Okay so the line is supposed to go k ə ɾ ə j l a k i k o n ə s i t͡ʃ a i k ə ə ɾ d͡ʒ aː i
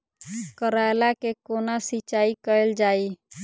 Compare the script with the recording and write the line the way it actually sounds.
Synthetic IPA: k ə ɾ a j l a k e k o n a s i t͡ʃ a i k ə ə l d͡ʒ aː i

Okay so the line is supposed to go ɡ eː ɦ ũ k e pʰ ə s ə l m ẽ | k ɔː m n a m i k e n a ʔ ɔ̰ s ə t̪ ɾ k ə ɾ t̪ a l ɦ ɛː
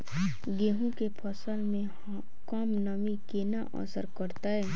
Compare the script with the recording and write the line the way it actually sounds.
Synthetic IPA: ɡ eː ɦ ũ k e pʰ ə s ə l m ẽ | k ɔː m n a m i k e n a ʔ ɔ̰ s ə ɾ k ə ɾ t̪ a ɦ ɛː

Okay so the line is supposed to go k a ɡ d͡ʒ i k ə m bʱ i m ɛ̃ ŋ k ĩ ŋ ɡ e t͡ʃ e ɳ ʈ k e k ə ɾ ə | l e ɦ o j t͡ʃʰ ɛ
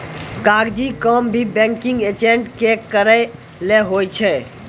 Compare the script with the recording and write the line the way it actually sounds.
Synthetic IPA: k a ɡ d͡ʒ i k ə m bʱ i b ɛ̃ ŋ k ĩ ŋ ɡ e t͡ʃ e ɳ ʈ k e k ə ɾ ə | l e ɦ o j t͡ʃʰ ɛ

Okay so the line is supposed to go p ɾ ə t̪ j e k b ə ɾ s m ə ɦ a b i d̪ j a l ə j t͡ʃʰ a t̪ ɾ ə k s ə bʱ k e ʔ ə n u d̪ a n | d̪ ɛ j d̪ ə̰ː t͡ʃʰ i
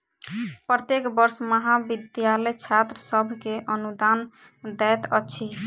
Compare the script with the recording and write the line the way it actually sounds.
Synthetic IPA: p ɾ ə t̪ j e k b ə ɾ s m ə ɦ a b i d̪ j a l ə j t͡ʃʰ a t̪ ɾ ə s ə bʱ k e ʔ ə n u d̪ a n | d̪ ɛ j t̪ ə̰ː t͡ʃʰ i

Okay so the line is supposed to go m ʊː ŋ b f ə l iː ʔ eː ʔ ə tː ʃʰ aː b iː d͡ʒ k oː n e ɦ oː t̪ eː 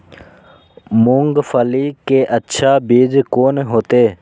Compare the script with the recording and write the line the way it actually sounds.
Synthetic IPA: m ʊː ŋ ɡ f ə l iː k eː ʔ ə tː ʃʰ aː b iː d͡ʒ k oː n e ɦ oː t̪ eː

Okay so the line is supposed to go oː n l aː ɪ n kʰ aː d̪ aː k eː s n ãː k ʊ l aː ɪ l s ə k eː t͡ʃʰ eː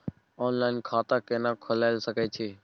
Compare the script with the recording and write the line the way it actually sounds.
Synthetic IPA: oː n l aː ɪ n kʰ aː t̪ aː k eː n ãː kʰ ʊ l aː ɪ l s ə k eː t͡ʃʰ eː

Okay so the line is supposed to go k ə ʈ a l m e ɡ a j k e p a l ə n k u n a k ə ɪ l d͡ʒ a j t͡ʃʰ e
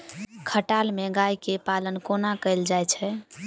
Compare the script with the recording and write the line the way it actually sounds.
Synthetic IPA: kʰ ə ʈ a l m e ɡ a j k e p a l ə n k o n a k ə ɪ l d͡ʒ a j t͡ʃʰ ɛ

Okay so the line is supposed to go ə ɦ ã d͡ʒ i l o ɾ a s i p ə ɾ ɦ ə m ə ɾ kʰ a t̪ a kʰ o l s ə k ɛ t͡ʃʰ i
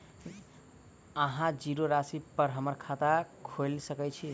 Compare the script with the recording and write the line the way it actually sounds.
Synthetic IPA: ə ɦ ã d͡ʒ i ɾ o ɾ a s i p ə ɾ ɦ ə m ə ɾ kʰ a t̪ a kʰ o l s ə k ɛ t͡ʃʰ i

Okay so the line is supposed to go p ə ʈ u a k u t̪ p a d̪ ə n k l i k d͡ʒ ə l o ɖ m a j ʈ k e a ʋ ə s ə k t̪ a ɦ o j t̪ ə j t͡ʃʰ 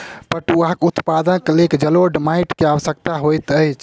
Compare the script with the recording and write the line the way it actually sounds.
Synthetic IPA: p ə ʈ u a k u t̪ p a d̪ ə n k l e k d͡ʒ ə l o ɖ m a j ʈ k e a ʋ ə s ə k t̪ a ɦ o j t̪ ə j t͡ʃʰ

